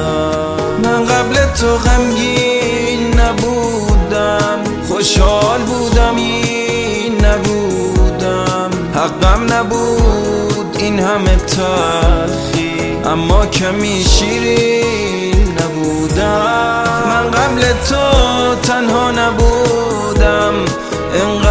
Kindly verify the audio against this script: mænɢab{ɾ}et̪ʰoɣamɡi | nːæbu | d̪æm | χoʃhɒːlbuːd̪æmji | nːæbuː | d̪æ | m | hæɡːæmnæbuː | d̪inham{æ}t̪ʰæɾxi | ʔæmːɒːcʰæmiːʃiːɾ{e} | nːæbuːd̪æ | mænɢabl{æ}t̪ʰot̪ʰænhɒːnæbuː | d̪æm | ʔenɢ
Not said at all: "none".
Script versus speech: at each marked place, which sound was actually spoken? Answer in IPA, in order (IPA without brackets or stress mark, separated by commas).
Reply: l, e, i, e